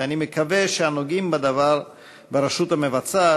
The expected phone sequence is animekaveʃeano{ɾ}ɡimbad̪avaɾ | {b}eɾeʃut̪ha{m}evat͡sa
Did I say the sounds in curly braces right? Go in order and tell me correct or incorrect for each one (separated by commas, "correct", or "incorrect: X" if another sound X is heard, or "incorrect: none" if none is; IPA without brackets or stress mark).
incorrect: none, correct, correct